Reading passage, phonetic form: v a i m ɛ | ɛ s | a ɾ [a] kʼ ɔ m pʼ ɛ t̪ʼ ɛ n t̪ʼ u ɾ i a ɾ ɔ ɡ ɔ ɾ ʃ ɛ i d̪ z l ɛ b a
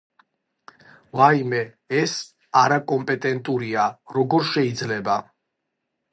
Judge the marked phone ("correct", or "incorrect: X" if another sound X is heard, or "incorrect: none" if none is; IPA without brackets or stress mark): correct